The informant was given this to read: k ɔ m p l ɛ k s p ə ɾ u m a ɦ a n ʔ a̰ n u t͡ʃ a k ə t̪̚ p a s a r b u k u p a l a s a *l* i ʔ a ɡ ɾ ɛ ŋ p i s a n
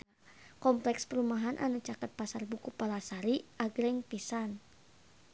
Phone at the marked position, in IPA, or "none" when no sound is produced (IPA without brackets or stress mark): ɾ